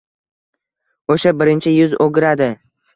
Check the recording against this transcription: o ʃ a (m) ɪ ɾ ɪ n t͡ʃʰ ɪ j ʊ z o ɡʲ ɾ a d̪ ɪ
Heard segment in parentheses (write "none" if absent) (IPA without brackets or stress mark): b